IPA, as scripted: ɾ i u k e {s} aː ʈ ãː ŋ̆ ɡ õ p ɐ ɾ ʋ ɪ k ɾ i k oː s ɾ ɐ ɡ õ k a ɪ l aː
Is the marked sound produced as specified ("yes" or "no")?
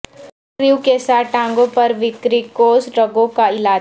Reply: yes